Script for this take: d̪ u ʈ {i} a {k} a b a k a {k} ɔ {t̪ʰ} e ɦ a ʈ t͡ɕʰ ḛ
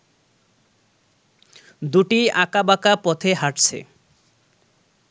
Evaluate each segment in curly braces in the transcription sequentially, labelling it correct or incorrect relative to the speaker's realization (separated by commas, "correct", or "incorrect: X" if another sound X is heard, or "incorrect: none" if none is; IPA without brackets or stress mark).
correct, correct, incorrect: p, correct